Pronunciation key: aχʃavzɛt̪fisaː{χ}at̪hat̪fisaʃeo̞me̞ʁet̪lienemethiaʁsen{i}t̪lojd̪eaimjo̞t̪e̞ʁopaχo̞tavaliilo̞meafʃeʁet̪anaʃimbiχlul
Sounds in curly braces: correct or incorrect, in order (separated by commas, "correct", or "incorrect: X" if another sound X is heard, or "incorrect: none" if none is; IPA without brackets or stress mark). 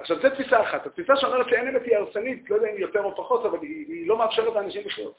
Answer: correct, correct